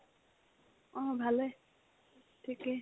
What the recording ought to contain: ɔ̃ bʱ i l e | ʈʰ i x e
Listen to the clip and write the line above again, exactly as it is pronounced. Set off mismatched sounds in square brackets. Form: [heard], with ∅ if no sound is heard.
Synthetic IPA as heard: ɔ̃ bʱ [a] l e | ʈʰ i [k] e